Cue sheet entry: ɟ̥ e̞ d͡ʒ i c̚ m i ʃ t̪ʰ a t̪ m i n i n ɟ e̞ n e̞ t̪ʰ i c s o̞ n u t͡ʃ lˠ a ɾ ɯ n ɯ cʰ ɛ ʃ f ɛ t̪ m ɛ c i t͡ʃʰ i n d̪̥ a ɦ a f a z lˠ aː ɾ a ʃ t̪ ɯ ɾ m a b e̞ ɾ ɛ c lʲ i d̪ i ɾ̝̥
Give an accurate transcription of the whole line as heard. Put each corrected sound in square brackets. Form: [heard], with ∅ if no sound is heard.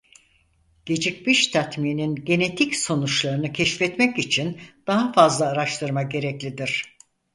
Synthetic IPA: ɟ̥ e̞ d͡ʒ i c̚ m i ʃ t̪ʰ a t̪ m i n i n ɟ e̞ n e̞ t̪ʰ i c s o̞ n u t͡ʃ lˠ a ɾ ɯ n ɯ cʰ ɛ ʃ f ɛ t̪ m ɛ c i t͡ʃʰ i n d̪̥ a ɦ a f a z lˠ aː ɾ a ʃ t̪ ɯ ɾ m a [ɟ] e̞ ɾ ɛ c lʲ i d̪ i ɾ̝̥